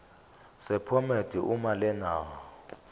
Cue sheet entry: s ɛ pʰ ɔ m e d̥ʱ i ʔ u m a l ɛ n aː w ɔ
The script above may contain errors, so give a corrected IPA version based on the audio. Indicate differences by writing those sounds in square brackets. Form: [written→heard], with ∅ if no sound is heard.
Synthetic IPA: s ɛ pʰ ɔ m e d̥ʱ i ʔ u m a l ɛ n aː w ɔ